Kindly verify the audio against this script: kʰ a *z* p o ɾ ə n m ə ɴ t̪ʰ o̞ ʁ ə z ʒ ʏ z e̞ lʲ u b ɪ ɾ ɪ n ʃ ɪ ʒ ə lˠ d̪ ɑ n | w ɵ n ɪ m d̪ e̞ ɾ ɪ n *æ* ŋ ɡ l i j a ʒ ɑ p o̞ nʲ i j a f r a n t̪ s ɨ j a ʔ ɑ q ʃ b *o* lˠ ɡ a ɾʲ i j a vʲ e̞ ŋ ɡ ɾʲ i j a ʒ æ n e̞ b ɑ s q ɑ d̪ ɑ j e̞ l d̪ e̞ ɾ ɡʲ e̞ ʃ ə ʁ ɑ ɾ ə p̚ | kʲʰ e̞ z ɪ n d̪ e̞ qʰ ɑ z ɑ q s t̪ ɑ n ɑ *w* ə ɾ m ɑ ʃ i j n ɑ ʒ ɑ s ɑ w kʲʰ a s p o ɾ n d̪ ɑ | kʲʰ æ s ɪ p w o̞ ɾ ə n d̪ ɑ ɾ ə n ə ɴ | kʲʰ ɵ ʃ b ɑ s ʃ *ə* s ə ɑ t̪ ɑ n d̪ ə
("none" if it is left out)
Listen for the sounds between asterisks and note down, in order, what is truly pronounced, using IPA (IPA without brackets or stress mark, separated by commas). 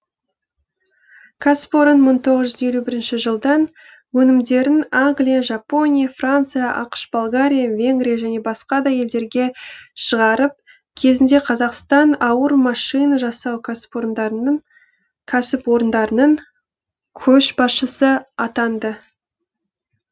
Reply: s, a, o, w, ə